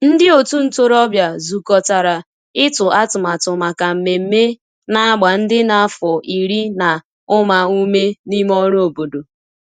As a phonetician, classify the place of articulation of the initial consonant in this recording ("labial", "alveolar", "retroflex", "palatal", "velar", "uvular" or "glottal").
alveolar